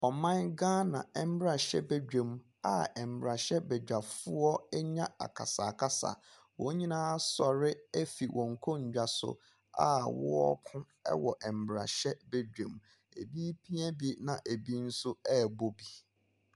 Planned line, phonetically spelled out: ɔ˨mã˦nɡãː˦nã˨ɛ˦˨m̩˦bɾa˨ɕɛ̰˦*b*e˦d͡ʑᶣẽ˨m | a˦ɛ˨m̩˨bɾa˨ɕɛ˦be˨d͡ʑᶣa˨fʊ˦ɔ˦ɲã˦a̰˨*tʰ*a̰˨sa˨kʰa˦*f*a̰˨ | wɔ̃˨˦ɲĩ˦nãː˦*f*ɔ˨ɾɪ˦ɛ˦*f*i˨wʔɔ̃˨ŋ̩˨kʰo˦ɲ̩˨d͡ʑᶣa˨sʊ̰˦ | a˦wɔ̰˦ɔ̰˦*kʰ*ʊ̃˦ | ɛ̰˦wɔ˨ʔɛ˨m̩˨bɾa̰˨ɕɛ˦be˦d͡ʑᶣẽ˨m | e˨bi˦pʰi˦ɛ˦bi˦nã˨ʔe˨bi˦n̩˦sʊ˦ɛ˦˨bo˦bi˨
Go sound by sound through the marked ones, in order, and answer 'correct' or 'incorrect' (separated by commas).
correct, incorrect, incorrect, incorrect, correct, correct